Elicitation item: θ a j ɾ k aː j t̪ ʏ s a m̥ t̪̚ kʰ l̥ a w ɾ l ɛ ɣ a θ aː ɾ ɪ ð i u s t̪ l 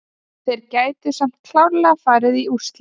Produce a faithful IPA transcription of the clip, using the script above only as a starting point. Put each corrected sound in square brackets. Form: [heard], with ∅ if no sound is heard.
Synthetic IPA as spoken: θ [e] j ɾ [c] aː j t̪ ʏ s a m̥ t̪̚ kʰ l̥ a w ɾ l ɛ ɣ a [f] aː ɾ ɪ ð i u s t̪ l